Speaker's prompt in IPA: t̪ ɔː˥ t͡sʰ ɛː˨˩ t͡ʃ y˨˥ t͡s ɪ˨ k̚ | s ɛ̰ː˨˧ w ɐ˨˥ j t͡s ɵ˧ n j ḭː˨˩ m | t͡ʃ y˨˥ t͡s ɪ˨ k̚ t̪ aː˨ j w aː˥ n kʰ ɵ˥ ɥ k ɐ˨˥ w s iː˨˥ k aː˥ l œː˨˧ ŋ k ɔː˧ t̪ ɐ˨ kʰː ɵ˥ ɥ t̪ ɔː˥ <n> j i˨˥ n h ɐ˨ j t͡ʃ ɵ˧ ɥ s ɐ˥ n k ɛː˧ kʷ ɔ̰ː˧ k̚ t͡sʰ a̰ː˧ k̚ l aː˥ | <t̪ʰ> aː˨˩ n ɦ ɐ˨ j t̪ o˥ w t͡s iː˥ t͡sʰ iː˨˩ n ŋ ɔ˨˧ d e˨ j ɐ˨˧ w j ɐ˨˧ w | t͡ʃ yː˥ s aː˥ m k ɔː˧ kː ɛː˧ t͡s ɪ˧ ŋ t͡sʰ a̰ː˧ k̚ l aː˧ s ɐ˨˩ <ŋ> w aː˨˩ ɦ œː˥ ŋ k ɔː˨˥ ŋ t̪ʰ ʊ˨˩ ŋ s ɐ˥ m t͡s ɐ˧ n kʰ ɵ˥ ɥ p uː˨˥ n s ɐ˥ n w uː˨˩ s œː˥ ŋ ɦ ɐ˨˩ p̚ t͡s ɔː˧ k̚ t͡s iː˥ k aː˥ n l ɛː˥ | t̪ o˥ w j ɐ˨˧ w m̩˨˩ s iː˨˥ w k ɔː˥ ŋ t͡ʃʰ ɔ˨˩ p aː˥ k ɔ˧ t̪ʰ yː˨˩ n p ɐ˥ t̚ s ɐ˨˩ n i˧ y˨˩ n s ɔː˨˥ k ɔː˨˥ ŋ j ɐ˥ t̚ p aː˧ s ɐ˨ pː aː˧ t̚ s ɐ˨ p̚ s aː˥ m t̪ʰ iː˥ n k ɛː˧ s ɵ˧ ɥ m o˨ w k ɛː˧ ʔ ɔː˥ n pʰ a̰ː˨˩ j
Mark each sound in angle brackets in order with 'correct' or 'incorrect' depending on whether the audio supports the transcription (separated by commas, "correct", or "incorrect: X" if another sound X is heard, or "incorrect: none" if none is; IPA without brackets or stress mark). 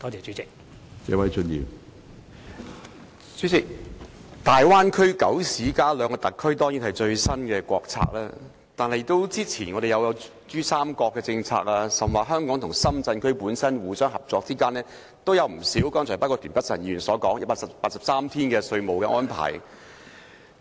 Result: incorrect: ŋ, incorrect: t̪, incorrect: m